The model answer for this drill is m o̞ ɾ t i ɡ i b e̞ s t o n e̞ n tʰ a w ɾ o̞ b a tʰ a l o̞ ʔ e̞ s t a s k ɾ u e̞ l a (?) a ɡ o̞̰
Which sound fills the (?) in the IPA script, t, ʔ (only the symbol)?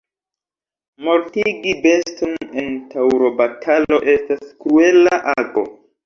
ʔ